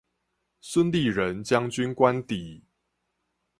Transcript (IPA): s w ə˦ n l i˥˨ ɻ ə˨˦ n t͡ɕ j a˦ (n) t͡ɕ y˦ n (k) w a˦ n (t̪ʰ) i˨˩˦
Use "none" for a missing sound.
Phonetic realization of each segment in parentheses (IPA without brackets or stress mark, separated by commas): ŋ, k, t̪